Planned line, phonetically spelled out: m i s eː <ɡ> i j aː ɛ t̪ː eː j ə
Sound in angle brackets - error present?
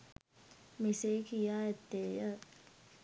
yes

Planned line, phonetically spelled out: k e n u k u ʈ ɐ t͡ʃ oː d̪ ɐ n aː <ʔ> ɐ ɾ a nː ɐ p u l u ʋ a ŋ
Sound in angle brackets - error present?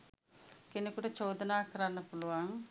yes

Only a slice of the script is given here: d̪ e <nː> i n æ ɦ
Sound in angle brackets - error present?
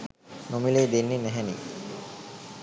no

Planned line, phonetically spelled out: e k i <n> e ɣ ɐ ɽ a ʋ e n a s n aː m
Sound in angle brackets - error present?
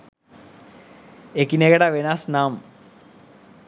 no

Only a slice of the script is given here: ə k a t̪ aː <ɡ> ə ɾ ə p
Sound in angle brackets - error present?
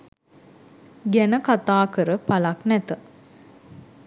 yes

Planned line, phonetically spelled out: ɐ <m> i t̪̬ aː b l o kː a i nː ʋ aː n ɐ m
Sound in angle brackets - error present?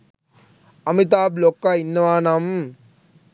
no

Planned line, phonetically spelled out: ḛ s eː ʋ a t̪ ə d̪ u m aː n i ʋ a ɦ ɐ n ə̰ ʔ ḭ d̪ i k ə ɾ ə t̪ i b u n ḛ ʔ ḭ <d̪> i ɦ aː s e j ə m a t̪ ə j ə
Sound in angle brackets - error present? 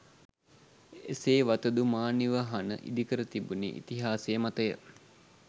yes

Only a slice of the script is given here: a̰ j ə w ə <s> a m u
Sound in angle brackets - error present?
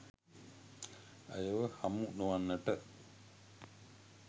yes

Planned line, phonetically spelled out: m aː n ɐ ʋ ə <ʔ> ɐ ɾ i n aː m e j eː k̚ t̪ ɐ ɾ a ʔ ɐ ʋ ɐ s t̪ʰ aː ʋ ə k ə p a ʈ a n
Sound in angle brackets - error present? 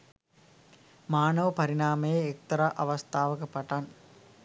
yes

